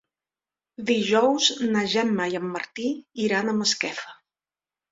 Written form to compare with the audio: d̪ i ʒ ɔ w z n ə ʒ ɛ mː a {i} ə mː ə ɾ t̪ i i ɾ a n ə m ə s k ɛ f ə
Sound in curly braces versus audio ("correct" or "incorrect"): incorrect